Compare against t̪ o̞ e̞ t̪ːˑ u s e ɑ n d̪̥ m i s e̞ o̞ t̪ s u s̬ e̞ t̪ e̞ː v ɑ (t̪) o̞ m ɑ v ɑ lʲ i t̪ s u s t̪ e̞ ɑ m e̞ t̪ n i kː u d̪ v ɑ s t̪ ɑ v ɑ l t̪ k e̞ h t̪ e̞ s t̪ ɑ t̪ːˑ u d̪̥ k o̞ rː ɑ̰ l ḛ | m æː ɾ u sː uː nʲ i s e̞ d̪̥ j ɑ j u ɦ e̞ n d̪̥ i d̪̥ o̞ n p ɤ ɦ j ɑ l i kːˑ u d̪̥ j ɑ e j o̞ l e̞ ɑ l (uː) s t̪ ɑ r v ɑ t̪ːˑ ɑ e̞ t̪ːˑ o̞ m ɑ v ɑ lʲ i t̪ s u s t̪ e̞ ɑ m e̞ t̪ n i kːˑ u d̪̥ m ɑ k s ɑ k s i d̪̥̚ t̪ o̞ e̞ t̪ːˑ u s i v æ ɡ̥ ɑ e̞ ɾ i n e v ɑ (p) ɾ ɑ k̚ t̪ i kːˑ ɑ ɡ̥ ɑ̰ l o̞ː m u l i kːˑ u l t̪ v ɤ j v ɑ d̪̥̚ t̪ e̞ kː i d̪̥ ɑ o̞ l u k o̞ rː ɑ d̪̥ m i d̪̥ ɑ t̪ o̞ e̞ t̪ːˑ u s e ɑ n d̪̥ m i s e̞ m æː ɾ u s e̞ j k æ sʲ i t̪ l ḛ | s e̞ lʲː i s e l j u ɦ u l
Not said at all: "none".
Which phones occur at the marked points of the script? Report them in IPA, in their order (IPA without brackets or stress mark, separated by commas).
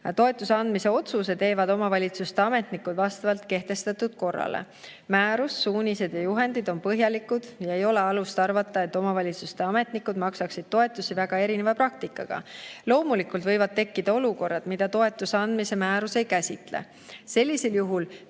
d̪, u, p